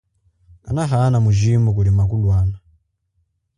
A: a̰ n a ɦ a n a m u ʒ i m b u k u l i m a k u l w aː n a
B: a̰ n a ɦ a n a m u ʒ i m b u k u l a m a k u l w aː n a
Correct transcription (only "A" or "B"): A